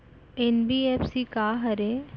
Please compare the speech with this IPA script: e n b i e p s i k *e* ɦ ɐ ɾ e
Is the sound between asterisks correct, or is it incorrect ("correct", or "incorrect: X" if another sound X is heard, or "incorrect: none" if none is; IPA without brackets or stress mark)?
incorrect: a